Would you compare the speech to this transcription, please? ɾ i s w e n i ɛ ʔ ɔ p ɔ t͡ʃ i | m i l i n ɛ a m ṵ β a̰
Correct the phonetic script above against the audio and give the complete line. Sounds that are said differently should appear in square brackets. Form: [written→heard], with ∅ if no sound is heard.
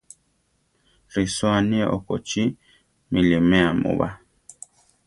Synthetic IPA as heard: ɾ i s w [e→a] n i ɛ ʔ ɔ [p→k] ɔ t͡ʃ i | m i l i [n→m] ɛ a m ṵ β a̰